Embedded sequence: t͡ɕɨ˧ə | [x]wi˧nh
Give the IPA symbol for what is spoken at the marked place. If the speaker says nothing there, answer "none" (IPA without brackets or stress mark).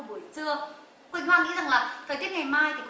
k